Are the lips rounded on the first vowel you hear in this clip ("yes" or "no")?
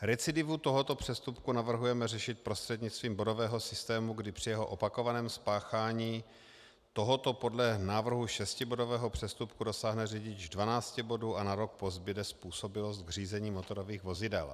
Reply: no